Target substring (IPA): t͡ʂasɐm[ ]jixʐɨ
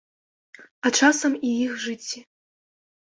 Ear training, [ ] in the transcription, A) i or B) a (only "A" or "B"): A